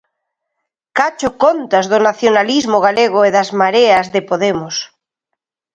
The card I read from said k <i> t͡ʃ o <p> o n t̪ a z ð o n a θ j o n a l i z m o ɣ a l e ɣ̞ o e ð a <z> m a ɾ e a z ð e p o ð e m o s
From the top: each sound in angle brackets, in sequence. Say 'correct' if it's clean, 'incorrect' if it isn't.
incorrect: a, incorrect: k, correct

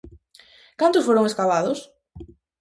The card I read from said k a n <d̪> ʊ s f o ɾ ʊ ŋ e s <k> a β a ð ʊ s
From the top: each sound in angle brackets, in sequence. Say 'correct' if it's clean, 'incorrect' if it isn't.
incorrect: t̪, correct

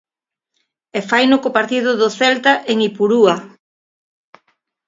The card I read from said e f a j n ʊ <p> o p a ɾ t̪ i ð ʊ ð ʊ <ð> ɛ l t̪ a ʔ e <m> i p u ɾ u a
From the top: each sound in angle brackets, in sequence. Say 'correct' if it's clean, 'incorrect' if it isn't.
incorrect: k, incorrect: θ, incorrect: ŋ

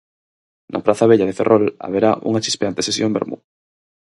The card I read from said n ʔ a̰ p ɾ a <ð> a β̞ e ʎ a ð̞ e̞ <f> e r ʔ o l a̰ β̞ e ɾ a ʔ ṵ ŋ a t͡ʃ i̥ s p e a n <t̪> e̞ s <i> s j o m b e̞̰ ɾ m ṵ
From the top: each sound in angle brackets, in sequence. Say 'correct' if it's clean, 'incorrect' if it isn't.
incorrect: θ, correct, correct, incorrect: e

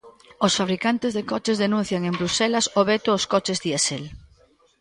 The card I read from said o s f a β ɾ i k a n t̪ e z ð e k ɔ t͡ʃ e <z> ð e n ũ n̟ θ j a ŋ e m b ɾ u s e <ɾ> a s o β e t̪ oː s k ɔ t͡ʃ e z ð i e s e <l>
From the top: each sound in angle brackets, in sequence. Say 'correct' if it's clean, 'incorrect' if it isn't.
correct, incorrect: l, correct

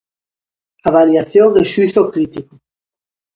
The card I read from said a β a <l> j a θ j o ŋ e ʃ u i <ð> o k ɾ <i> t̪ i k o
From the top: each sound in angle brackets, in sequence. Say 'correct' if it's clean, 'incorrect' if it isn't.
incorrect: ɾ, incorrect: θ, correct

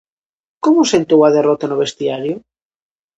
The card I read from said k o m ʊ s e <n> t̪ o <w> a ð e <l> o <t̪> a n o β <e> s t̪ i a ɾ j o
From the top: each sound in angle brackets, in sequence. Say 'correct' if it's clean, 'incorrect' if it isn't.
correct, correct, incorrect: r, correct, correct

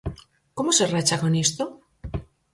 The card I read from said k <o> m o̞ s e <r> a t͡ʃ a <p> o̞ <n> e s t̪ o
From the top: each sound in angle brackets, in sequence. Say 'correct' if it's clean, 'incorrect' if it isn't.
correct, correct, incorrect: k, correct

